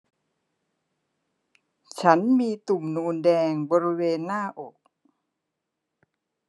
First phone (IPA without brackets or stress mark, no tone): t͡ɕʰ